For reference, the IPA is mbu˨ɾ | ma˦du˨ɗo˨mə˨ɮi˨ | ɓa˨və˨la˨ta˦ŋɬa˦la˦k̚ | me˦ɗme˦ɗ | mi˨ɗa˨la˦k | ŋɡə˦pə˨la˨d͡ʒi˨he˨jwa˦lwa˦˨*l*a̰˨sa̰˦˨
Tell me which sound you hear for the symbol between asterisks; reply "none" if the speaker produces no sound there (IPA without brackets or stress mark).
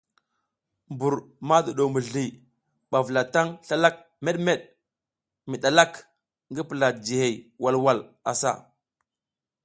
l